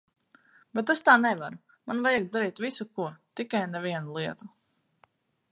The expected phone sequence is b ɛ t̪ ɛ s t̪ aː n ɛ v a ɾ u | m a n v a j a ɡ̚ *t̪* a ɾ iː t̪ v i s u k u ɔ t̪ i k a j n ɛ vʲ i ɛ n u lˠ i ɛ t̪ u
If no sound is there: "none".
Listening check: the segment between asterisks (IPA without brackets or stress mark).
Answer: d̪